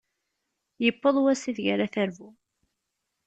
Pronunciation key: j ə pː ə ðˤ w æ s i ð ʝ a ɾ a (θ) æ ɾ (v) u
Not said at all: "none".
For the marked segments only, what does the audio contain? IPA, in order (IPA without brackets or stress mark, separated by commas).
θ, v